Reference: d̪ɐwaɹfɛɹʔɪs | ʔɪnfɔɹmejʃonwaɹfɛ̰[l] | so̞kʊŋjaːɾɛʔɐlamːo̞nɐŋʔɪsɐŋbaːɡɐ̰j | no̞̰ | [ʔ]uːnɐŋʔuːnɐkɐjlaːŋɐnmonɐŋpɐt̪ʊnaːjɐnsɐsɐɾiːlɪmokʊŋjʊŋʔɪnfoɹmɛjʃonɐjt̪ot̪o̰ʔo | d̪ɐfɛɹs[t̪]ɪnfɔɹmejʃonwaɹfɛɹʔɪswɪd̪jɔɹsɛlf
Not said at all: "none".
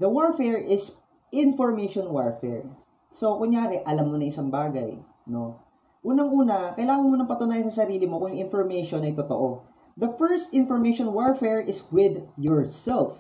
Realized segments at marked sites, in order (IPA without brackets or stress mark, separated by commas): ɹ, ʔ, t̪